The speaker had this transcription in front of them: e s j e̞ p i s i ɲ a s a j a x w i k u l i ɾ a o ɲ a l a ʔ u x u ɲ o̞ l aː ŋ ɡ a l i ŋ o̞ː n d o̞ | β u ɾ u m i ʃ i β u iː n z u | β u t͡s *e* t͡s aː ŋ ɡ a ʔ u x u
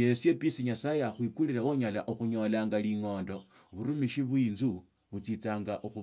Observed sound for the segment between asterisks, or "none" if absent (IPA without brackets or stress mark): i